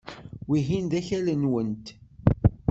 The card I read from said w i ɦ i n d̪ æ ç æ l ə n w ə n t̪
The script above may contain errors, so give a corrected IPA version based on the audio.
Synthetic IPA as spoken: w i ɦ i n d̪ æ ç æ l ə n w ə n t̪